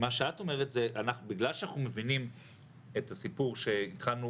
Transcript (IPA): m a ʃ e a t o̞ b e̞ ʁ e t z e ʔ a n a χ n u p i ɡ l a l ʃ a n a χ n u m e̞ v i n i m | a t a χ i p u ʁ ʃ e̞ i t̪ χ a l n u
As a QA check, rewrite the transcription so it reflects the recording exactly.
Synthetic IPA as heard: m a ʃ e a t o̞ m e̞ ʁ e t z e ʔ a n a χ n u b i ɡ l a l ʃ a n a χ n u m e̞ v i n i m | e t a s i p u ʁ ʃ e̞ i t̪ χ a l n u